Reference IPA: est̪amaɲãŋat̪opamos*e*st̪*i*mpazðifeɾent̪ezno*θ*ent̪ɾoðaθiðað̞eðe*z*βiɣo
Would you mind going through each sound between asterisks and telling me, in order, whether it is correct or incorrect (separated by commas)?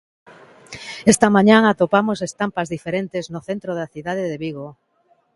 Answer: correct, incorrect, correct, incorrect